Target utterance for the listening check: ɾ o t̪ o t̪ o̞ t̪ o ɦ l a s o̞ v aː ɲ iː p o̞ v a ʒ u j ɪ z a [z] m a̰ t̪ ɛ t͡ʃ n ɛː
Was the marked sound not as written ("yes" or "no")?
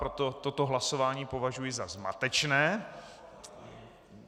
no